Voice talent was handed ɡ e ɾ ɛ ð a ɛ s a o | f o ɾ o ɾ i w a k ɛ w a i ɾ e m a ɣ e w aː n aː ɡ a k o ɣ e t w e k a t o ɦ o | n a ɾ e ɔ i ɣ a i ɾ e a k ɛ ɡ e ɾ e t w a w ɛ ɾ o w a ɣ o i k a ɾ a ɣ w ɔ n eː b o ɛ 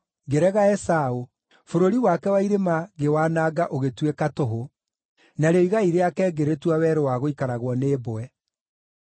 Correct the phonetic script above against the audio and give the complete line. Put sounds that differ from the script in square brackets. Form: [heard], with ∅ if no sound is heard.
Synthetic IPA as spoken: ɡ e ɾ ɛ [ɣ] a ɛ s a o | f o ɾ o ɾ i w a k ɛ w a i ɾ e m a ɣ e w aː n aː ɡ a [ʔ] o ɣ e t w e k a t o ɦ o | n a ɾ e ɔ i ɣ a i ɾ e a k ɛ ɡ e ɾ e t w a w ɛ ɾ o w a ɣ o i k a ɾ a ɣ w ɔ n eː b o ɛ